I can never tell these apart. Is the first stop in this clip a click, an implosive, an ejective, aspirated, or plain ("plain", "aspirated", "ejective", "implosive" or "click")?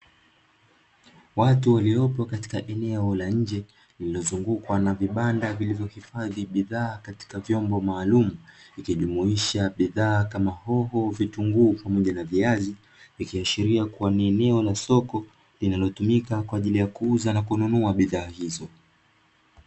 plain